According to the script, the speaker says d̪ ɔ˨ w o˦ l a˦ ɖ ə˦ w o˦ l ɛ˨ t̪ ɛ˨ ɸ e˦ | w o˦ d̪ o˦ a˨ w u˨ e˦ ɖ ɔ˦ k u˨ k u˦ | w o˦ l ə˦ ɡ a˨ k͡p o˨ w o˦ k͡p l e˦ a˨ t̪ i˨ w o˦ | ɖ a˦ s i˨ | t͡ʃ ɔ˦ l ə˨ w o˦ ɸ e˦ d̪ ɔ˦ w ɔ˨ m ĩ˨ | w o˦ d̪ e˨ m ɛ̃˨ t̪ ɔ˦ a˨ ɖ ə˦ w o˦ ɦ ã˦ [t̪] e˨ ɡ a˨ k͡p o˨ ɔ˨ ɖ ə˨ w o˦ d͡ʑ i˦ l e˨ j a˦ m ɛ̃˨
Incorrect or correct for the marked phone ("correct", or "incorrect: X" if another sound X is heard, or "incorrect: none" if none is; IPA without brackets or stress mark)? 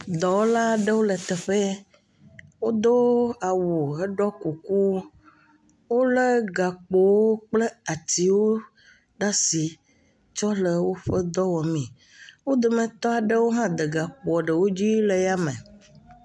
incorrect: d̪